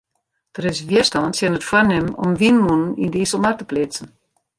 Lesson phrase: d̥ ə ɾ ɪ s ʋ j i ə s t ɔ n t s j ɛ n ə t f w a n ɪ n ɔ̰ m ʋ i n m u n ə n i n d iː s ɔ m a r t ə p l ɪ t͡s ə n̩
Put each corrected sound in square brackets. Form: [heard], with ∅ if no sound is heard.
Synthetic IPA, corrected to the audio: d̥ ə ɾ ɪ s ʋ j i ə s t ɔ n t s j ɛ n ə t f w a n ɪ [m] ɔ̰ m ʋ i n m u n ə n i n d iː s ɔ m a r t ə p l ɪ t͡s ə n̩

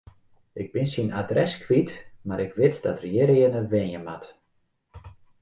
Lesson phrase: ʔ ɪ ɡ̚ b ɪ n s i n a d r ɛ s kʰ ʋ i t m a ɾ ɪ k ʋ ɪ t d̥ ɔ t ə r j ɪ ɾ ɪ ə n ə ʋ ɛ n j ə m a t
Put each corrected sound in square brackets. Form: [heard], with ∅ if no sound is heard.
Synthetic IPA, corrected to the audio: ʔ ɪ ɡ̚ b ɪ n s i n a d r ɛ s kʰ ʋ i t m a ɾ ɪ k ʋ ɪ t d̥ ɔ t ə r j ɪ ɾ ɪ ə n ə ʋ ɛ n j ə m a t

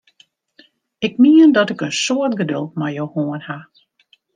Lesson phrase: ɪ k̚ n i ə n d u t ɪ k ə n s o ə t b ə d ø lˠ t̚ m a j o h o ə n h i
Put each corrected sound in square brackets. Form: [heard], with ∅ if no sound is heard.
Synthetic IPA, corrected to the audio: ɪ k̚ [m] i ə n d [ɔ] t ɪ k ə n s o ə t [ɡ] ə d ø lˠ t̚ m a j o h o ə n h [a]

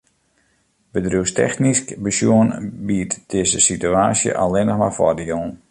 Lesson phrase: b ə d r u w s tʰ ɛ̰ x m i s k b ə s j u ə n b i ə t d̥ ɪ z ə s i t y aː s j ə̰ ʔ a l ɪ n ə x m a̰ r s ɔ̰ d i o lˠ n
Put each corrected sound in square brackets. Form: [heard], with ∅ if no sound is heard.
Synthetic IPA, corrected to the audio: b ə d r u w s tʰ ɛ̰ x [n] i s k b ə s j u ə n b i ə t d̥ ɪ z ə s i t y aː s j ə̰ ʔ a l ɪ n ə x m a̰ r [f] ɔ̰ d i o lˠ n

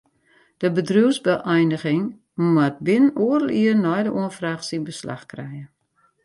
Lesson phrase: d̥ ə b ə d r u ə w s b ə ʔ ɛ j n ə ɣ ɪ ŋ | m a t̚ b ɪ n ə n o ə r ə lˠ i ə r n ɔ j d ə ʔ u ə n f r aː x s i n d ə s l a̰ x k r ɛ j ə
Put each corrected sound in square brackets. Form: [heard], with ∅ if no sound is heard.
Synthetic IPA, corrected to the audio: d̥ ə b ə d r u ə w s b ə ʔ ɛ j n ə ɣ ɪ ŋ | m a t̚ b ɪ n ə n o ə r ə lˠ i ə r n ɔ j d ə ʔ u ə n f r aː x s i n [b] ə s l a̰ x k r ɛ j ə

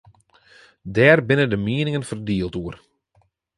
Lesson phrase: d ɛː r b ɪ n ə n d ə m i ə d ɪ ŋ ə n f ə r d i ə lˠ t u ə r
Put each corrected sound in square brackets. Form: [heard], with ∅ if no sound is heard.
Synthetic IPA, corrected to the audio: d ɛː r b ɪ n ə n d ə m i ə [n] ɪ ŋ ə n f ə r d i ə lˠ t u ə r

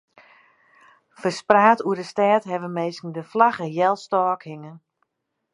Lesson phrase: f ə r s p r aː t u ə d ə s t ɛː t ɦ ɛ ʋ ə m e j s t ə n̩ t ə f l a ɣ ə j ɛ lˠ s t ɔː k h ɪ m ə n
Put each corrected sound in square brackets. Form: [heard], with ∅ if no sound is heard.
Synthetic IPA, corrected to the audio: f ə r s p r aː t u ə d ə s t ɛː t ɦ ɛ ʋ ə m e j s [k] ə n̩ [d] ə f l a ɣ ə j ɛ lˠ s t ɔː k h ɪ [ŋ] ə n

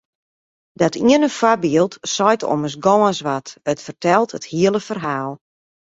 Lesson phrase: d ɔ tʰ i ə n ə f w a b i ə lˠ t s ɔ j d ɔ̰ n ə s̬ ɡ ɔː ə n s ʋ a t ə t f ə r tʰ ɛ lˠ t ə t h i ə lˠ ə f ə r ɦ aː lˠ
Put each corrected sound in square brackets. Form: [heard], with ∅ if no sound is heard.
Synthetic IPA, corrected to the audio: d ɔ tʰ i ə n ə f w a b i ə lˠ t s ɔ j [t] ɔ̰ [m] ə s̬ ɡ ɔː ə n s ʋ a t ə t f ə r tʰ ɛ lˠ t ə t h i ə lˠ ə f ə r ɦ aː lˠ

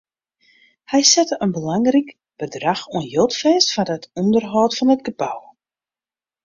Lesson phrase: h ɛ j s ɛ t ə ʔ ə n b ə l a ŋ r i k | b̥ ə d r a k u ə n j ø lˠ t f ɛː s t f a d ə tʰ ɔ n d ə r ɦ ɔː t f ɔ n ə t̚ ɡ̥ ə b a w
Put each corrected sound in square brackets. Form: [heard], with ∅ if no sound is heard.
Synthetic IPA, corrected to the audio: h ɛ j s ɛ t ə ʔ ə n b ə l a ŋ r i k | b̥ ə d r a [x] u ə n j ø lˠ t f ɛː s t f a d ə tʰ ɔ n d ə r ɦ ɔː t f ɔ n ə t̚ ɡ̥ ə b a w

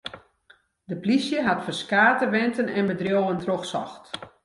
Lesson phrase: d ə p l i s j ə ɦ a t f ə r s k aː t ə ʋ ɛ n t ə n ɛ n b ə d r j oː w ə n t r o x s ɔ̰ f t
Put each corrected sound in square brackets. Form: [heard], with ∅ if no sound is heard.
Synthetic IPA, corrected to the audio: d ə p l i s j ə ɦ a t f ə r s k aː t ə ʋ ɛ n t ə n ɛ n b ə d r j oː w ə n t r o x s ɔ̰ [x] t

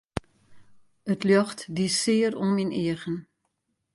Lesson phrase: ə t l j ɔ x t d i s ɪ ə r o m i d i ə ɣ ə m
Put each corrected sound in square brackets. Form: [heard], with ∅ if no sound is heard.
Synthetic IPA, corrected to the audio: ə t l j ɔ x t d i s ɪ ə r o m i [n] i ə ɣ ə [n]

